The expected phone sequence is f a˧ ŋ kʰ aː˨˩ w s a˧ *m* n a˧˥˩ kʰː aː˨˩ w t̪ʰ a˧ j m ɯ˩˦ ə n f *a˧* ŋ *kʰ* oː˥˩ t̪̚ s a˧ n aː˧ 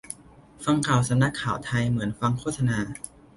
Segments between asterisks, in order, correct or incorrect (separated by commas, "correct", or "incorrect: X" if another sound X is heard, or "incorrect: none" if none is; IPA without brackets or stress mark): correct, correct, correct